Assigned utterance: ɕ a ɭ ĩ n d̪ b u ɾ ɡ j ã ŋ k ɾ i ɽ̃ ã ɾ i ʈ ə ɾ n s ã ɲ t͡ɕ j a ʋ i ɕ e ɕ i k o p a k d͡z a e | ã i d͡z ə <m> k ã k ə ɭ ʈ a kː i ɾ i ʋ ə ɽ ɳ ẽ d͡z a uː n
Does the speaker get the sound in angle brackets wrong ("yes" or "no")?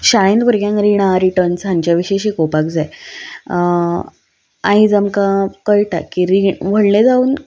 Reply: no